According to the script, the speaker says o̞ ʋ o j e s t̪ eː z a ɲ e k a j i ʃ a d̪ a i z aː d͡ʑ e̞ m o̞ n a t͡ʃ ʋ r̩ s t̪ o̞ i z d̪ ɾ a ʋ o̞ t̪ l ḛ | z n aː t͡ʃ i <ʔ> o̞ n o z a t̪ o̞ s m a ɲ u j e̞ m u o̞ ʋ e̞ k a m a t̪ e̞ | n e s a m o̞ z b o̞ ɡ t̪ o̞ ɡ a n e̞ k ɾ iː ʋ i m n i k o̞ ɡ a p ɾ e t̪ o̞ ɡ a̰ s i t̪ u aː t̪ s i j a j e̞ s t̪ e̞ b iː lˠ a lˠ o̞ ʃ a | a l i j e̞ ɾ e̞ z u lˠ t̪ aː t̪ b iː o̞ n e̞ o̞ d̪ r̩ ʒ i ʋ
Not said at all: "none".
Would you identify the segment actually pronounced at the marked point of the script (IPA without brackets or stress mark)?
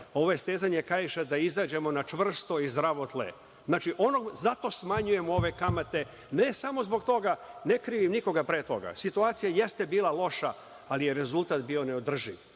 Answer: ʔ